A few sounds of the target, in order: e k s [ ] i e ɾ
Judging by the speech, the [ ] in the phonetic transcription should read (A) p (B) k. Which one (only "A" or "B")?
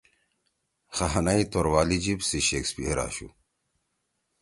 A